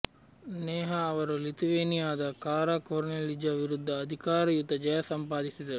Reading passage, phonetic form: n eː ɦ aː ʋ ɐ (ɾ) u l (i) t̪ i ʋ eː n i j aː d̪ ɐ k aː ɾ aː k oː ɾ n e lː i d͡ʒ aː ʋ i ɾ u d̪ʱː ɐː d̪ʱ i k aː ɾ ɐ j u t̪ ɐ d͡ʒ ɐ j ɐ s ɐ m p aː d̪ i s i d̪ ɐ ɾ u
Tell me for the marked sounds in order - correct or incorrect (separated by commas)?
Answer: correct, correct